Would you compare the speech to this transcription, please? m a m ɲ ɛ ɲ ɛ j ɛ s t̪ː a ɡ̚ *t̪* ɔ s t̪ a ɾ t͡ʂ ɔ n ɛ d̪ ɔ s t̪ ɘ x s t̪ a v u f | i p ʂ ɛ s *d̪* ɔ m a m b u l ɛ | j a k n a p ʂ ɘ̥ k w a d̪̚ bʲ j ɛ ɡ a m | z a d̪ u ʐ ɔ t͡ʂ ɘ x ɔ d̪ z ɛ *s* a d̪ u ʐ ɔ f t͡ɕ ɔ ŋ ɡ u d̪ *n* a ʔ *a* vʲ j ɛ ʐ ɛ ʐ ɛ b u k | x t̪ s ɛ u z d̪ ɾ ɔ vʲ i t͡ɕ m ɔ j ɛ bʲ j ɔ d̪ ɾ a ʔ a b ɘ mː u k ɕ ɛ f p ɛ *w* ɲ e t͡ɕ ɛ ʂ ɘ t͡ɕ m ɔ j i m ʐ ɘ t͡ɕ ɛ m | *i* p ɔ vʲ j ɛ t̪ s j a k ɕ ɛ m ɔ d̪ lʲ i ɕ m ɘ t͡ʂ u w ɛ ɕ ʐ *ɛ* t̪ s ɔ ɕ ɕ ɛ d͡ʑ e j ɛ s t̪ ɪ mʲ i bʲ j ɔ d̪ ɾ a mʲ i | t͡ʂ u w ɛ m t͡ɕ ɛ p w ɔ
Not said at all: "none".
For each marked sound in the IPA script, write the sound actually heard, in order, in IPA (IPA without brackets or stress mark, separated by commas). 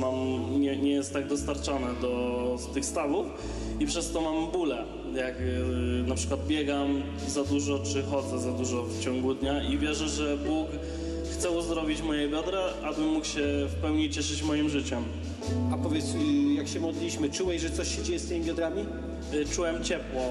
d̪, t̪, z, ɲ, i, w, a, ɛ